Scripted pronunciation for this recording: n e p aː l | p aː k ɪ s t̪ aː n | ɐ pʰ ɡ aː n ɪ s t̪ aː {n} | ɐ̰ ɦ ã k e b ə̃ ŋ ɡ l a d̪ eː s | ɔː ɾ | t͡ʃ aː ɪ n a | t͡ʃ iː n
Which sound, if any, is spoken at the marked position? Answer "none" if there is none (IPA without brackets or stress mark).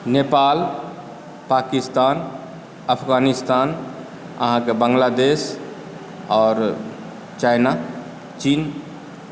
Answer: n